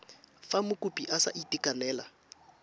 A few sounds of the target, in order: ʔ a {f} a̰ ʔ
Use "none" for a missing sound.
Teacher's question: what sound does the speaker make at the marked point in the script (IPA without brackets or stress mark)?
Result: s